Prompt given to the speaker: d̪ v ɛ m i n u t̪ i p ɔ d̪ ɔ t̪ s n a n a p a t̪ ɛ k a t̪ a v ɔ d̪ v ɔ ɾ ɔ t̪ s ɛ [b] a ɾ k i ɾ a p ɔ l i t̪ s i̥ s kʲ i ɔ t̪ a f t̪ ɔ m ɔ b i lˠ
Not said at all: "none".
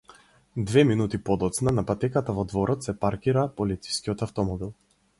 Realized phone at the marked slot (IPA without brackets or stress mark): p